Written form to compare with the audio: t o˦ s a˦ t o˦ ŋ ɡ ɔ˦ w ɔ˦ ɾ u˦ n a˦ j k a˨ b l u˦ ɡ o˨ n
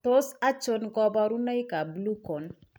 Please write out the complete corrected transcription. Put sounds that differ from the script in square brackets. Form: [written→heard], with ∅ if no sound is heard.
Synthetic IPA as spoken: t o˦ s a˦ [t→t͡ʃ] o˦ [ŋ→n] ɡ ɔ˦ [w→b] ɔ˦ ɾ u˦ n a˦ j k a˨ b l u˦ [ɡ→k] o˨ n